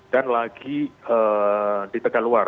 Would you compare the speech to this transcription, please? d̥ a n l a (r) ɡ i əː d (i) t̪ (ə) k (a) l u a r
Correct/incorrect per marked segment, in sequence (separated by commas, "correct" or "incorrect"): incorrect, correct, correct, correct